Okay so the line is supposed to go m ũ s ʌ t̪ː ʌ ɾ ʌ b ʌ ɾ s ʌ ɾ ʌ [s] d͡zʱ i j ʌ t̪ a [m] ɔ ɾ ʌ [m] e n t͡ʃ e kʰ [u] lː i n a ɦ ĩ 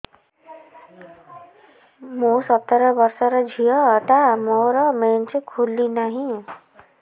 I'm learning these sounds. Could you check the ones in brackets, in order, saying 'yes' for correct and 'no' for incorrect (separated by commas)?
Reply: no, yes, yes, yes